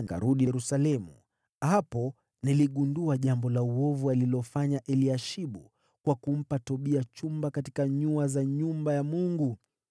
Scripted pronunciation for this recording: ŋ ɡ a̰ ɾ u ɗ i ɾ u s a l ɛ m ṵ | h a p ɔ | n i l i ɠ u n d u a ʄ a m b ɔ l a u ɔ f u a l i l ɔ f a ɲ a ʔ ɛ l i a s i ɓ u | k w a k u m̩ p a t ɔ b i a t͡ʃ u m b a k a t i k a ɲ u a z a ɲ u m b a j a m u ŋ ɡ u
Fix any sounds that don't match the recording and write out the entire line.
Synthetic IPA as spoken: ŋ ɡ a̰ ɾ u ɗ i ɾ u s a l ɛ m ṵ | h a p ɔ | n i l i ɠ u n d u a ʄ a m b ɔ l a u ɔ v u a l i l ɔ f a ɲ a ʔ ɛ l i a ʃ i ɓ u | k w a k u m̩ p a t ɔ ɓ i a t͡ʃ u m b a k a t i k a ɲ u a z a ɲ u m b a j a m u ŋ ɡ u